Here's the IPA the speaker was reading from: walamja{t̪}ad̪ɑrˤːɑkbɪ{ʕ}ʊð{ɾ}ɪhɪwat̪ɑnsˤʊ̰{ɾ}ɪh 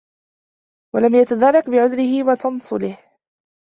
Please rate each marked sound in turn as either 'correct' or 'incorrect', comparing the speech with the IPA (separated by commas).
correct, correct, correct, incorrect